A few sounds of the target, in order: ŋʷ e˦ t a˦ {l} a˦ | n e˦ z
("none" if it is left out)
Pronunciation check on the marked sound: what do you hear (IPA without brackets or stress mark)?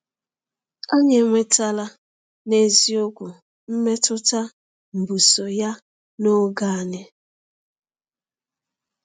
l